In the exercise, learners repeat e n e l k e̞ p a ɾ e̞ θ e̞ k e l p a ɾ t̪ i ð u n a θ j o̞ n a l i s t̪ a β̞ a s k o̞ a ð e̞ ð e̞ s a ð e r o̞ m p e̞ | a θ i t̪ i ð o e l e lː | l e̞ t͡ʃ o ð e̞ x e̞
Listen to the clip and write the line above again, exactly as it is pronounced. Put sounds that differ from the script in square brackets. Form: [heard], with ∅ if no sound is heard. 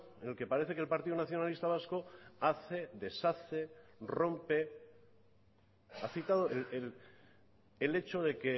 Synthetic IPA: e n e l k e̞ p a ɾ e̞ θ e̞ k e l p a ɾ t̪ i ð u n a θ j o̞ n a l i s t̪ a β̞ a s k o̞ a [θ] e̞ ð e̞ s a [θ] e r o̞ m p e̞ | a θ i t̪ [a] ð o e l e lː | l e̞ t͡ʃ o ð e̞ [k] e̞